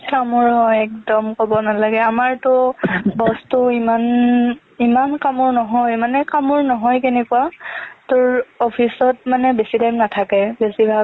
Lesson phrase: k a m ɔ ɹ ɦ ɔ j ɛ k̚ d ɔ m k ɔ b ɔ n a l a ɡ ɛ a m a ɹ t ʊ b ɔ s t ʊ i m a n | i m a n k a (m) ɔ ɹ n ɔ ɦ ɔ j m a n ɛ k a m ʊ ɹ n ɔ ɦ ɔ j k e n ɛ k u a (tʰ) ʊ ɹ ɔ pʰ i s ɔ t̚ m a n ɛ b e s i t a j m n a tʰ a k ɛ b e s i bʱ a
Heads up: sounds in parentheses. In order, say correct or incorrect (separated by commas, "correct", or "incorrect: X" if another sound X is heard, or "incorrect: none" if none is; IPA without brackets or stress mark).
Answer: correct, incorrect: t